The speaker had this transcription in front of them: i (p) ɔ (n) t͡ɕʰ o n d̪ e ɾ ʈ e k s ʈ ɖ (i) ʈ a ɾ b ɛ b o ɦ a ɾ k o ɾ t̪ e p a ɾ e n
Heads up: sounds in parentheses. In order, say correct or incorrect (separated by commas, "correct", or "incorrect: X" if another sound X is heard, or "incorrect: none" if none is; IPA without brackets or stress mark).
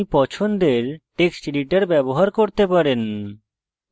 correct, incorrect: none, correct